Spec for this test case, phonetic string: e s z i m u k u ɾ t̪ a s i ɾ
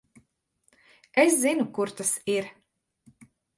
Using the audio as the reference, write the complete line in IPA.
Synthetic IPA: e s z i n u k u ɾ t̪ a s i ɾ